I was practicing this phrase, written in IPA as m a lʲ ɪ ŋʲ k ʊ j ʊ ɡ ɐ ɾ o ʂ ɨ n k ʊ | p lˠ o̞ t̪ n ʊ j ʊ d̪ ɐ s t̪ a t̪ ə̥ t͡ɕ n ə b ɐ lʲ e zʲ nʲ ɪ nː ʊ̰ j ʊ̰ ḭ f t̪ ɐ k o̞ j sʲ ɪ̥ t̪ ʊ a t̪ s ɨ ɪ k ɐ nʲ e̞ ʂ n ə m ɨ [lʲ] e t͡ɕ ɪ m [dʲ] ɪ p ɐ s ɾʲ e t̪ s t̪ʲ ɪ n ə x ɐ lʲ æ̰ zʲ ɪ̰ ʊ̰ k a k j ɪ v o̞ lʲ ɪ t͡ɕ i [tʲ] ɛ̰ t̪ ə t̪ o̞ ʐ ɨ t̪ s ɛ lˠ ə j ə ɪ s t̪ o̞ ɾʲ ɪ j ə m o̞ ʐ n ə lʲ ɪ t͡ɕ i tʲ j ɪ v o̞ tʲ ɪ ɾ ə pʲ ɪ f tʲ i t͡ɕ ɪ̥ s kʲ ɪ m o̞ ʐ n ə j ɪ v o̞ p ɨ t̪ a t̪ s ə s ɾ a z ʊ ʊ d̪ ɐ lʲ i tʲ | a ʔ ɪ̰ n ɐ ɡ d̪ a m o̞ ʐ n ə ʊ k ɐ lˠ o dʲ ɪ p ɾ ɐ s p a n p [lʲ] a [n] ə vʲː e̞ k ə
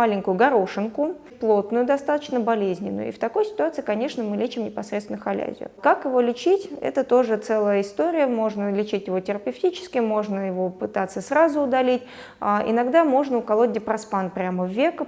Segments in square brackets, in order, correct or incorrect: correct, incorrect: nʲ, correct, incorrect: ɾʲ, incorrect: m

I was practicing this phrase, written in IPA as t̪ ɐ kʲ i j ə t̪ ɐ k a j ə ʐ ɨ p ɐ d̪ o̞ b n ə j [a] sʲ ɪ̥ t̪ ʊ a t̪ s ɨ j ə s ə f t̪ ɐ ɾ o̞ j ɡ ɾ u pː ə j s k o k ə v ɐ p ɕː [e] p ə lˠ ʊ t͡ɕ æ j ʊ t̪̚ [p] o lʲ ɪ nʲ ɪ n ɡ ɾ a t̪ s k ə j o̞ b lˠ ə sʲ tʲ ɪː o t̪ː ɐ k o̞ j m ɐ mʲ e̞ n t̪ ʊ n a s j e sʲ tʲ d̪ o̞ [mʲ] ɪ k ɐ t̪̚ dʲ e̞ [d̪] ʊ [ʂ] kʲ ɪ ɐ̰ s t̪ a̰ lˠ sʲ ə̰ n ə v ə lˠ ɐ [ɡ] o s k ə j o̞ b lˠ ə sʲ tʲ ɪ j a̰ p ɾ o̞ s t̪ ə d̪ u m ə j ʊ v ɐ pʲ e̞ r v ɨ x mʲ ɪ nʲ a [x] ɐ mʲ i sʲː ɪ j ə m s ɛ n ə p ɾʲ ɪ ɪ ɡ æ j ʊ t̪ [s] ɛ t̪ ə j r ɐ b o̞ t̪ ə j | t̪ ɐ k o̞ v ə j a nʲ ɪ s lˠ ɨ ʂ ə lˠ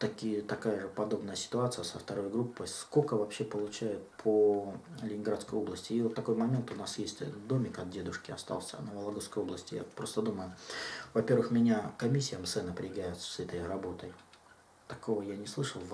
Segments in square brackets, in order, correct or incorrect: incorrect: ə, correct, incorrect: pʰ, correct, correct, correct, correct, incorrect: k, correct

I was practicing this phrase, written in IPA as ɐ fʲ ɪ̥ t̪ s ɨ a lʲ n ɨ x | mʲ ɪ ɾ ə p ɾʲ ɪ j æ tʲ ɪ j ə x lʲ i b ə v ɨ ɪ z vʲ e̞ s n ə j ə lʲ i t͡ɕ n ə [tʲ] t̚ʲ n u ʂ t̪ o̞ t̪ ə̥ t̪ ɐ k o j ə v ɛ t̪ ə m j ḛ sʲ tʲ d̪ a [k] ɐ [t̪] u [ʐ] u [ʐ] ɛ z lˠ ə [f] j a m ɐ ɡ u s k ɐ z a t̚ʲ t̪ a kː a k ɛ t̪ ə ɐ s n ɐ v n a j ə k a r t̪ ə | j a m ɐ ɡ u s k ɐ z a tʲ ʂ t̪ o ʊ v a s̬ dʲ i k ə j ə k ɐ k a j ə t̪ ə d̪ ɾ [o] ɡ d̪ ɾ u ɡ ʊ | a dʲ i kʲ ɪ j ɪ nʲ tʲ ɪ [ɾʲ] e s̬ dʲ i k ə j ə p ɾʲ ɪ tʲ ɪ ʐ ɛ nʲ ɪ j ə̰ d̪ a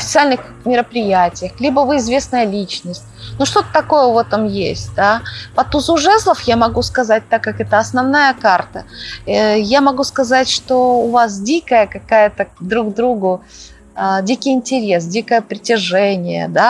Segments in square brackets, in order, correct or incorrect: incorrect: sʲ, incorrect: p, correct, incorrect: z, correct, correct, incorrect: u, correct

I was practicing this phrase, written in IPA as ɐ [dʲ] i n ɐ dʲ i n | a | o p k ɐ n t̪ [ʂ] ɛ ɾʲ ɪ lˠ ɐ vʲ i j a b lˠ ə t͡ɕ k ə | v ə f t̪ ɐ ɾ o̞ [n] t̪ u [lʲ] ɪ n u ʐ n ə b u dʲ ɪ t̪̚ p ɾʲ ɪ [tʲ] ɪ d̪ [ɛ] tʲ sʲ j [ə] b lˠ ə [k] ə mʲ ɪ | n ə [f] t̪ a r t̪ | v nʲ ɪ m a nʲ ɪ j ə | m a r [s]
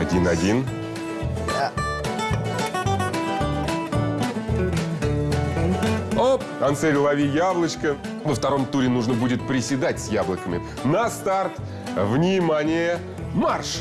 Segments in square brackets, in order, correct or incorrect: correct, incorrect: s, incorrect: m, incorrect: ɾʲ, incorrect: sʲ, incorrect: a, incorrect: a, correct, incorrect: s, incorrect: ʂ

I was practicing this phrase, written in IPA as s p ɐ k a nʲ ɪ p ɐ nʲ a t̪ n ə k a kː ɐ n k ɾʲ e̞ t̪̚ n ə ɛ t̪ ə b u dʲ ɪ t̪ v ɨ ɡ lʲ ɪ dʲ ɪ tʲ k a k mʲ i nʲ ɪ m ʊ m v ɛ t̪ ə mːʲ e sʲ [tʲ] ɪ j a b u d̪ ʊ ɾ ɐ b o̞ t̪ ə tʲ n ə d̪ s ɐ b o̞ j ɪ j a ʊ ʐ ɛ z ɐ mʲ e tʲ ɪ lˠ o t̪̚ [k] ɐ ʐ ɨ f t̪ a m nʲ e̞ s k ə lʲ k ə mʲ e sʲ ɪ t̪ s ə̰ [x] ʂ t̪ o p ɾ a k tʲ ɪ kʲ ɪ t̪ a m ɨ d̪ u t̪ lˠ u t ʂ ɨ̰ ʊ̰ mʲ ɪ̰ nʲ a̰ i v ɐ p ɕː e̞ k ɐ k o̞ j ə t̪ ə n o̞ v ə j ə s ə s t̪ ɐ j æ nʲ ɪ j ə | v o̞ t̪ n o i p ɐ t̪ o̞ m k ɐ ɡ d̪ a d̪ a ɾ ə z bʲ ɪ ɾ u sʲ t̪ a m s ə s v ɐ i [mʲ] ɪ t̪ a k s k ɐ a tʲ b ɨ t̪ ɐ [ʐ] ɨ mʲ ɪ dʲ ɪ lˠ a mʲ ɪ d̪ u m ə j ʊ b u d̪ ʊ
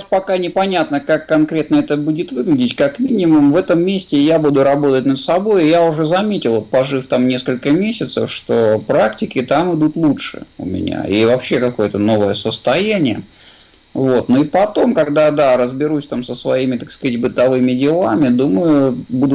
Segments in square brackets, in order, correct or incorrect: correct, incorrect: p, incorrect: f, correct, incorrect: v

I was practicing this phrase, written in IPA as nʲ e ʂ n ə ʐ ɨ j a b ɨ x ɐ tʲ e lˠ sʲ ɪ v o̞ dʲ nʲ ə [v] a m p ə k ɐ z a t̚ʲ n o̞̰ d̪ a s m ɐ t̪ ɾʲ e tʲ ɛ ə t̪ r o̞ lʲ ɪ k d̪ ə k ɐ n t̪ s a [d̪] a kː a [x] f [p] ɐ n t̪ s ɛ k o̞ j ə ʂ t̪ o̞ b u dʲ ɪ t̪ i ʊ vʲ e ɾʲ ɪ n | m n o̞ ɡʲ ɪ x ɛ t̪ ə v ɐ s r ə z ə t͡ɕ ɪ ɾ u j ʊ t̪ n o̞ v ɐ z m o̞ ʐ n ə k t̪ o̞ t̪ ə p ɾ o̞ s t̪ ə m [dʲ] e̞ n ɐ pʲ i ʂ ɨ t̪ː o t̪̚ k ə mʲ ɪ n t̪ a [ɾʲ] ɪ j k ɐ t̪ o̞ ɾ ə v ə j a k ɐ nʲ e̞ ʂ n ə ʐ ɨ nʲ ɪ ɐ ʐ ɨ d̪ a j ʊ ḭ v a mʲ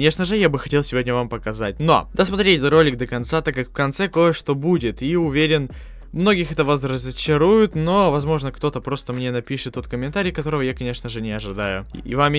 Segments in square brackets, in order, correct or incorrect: correct, incorrect: t̪, incorrect: k, incorrect: k, incorrect: nʲ, correct

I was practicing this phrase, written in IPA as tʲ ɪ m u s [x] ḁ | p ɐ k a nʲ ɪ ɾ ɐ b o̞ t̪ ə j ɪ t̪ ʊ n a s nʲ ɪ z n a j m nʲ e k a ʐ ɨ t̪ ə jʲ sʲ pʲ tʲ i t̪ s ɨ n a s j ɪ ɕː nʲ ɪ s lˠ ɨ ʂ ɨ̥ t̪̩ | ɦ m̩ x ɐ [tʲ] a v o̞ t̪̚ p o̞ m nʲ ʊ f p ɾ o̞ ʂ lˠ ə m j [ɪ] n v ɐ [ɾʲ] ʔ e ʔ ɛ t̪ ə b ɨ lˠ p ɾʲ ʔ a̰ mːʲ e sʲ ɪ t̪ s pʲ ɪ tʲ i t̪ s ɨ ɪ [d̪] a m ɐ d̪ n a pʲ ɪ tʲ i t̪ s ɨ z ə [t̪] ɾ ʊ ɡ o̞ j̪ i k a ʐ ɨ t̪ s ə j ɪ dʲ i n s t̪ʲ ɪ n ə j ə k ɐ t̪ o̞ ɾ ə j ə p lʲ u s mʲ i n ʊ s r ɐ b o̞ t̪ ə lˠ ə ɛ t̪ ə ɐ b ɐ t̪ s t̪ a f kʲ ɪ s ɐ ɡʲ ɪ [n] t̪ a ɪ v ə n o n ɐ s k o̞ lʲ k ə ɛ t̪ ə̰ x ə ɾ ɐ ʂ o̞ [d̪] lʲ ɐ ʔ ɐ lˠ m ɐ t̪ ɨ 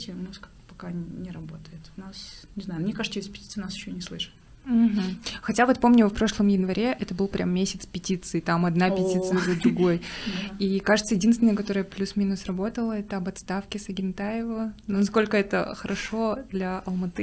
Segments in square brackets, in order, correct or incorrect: incorrect: k, correct, correct, correct, incorrect: t̪, incorrect: d̪, correct, correct

